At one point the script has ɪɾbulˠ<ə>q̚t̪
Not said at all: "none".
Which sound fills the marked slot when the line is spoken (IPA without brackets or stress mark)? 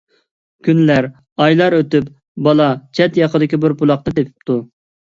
ɑ